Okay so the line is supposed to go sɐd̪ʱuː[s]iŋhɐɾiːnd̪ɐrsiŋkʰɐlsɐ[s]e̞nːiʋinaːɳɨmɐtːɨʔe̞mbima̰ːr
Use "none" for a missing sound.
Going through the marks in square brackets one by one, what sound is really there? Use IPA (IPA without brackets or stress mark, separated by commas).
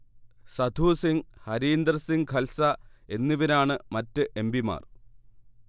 s, none